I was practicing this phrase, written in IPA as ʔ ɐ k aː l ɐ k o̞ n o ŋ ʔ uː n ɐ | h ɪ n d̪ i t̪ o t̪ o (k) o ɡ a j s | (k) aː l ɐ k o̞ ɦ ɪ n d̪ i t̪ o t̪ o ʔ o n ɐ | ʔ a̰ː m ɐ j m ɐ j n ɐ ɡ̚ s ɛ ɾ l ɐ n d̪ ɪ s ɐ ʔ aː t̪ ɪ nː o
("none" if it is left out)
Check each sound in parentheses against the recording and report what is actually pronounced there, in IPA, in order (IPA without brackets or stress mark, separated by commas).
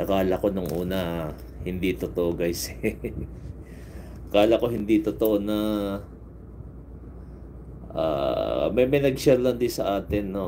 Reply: ʔ, k